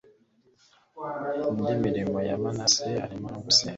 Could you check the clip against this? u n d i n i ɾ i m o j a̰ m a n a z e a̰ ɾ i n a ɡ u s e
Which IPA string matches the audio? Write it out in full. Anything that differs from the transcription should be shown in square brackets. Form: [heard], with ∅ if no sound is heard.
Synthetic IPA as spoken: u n d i [m] i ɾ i m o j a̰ m a n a [s] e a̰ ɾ i [m] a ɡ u s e